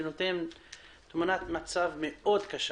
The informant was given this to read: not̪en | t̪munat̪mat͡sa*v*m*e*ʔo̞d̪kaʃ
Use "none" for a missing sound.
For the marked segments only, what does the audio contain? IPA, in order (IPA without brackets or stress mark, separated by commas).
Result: v, e